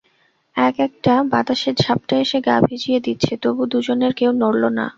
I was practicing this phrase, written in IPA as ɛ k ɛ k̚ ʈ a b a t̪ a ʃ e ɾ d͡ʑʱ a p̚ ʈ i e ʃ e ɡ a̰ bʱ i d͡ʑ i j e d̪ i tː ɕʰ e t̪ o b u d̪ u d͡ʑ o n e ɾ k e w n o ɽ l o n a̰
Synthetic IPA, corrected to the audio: ɛ k ɛ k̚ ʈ a b a t̪ a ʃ e ɾ d͡ʑʱ a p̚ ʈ a e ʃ e ɡ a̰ bʱ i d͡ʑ i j e d̪ i tː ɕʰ e t̪ o b u d̪ u d͡ʑ o n e ɾ k e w n o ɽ l o n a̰